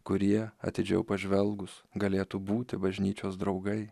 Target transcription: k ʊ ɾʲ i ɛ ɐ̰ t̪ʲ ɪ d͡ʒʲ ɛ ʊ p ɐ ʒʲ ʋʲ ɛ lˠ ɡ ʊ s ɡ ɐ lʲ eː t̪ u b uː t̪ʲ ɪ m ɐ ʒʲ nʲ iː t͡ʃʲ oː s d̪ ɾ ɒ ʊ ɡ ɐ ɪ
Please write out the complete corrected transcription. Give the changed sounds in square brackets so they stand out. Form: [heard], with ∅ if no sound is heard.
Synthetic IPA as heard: k ʊ ɾʲ i ɛ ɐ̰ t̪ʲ ɪ d͡ʒʲ ɛ ʊ p ɐ ʒʲ ʋʲ ɛ lˠ ɡ ʊ s ɡ ɐ lʲ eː t̪ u b uː t̪ʲ ɪ [b] ɐ ʒʲ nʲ iː t͡ʃʲ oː s d̪ ɾ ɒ ʊ ɡ ɐ ɪ